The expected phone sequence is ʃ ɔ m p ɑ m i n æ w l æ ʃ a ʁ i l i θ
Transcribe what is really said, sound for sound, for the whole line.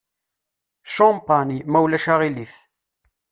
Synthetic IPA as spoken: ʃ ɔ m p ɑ n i m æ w l æ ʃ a ʁ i l i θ

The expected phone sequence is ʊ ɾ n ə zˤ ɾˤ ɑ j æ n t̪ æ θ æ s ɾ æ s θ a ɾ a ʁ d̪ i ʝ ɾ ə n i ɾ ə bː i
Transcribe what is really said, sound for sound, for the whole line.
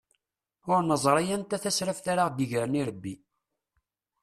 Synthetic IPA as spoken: ʊ ɾ n ə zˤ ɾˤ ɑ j æ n t̪ æ θ æ s ɾ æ f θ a ɾ a ʁ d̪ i ʝ ɾ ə n i ɾ ə bː i

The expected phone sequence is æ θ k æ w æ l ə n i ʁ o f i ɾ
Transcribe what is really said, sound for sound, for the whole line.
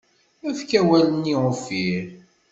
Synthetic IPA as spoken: æ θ k æ w æ l ə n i ʁ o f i ɾ

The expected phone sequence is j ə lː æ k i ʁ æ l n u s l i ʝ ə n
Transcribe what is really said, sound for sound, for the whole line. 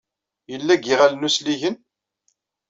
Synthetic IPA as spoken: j ə lː æ ɡ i ʁ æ l n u s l i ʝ ə n

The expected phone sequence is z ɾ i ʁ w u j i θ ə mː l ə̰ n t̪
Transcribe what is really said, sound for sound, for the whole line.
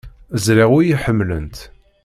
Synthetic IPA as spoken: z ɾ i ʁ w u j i ħ ə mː l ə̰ n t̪

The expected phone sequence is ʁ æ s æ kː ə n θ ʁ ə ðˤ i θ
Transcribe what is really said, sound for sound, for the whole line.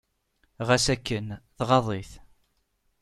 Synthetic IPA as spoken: ʁ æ s æ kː ə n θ ʁ ɑ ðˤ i θ

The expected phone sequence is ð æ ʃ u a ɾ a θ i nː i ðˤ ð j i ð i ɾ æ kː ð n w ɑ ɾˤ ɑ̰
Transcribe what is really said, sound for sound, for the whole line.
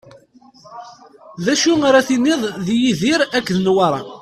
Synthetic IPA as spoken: ð æ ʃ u a ɾ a θ i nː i ðˤ ð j i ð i ɾ æ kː ð n w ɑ ɾˤ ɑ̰

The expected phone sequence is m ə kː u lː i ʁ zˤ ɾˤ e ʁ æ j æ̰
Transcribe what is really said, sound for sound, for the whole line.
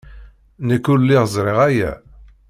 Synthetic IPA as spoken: n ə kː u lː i ʁ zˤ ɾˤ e ʁ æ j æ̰

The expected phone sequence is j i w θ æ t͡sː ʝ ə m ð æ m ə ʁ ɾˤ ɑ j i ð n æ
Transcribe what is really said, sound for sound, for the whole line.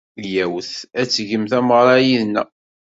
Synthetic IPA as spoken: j æ w θ æ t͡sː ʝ ə m θ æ m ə ʁ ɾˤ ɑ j i ð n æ

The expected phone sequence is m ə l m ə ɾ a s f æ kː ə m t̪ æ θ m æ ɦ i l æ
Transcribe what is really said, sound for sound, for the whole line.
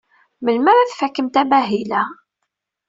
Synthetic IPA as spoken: m ə l m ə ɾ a θ f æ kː ə m t̪ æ m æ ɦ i l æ

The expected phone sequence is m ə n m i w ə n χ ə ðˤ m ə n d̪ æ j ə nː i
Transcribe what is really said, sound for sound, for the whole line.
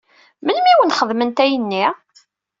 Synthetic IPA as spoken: m ə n m i w ə n χ ə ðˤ m ə n t̪ æ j ə nː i

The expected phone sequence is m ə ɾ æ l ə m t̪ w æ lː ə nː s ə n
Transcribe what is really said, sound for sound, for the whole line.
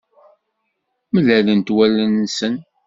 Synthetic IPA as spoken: m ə l æ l ə n t̪ w æ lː ə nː s ə n

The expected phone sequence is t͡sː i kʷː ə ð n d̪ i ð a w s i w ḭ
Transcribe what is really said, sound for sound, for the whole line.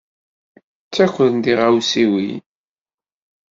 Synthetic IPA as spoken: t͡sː æ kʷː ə ð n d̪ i ʁ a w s i w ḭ

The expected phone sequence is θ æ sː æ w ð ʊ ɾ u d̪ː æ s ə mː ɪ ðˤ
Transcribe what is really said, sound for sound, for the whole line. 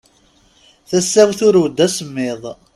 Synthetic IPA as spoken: θ æ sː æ w θ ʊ ɾ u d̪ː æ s ə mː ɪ ðˤ

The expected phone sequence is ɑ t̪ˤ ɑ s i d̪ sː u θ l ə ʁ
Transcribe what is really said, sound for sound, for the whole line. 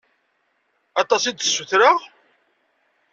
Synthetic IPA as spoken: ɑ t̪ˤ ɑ s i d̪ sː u θ ɾ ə ʁ

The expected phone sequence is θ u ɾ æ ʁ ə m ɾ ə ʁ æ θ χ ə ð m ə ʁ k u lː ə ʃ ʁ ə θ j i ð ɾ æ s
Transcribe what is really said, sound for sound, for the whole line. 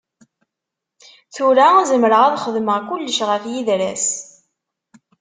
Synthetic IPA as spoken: θ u ɾ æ z ə m ɾ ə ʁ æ ð χ ə ð m ə ʁ k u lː ə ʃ ʁ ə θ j i ð ɾ æ s

